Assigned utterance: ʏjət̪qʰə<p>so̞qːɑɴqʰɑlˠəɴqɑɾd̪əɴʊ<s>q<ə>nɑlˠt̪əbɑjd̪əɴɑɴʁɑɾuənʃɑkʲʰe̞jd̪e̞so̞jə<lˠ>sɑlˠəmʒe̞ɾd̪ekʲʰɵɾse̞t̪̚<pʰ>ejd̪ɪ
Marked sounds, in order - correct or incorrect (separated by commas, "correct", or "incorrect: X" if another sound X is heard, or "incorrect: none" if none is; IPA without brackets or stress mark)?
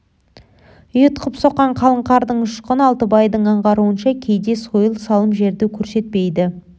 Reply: correct, incorrect: ʃ, correct, correct, incorrect: p